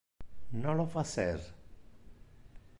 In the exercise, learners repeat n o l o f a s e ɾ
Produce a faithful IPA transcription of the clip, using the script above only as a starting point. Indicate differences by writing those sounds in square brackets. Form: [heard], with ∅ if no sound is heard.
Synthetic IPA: n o l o f a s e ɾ